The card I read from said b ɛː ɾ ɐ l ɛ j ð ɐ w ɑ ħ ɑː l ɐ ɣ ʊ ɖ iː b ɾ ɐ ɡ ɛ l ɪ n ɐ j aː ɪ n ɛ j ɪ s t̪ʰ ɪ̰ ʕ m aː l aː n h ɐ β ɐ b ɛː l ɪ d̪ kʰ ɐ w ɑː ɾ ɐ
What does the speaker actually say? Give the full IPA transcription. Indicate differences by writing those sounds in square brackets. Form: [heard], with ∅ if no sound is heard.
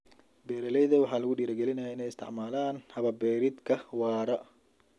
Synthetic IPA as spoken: b ɛː ɾ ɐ l ɛ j ð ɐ w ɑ ħ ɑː l ɐ ɣ ʊ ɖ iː [∅] ɾ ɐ ɡ ɛ l ɪ n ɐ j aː ɪ n ɛ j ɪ s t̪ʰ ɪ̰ ʕ m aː l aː n h ɐ β ɐ b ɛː [ɾ] ɪ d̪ kʰ ɐ w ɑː ɾ ɐ